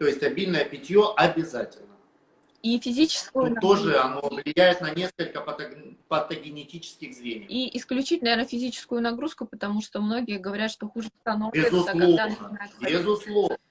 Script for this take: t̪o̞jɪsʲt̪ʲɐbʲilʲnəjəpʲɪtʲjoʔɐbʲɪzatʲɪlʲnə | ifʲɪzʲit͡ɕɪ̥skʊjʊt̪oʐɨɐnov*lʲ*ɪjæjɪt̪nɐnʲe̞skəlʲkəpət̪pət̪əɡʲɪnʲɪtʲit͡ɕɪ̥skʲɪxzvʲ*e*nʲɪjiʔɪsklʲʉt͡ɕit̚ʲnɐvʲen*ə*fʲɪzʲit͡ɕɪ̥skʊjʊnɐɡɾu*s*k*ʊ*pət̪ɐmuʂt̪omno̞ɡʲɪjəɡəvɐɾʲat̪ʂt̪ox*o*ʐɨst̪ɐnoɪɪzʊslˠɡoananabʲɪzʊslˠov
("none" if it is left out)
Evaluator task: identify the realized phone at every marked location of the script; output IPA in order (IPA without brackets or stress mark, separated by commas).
lʲ, e, ə, s, ʊ, u